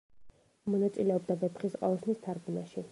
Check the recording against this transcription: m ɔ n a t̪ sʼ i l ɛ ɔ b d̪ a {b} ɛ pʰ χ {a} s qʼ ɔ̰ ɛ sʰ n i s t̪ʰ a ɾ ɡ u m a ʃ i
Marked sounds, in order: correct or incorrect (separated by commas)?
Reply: correct, incorrect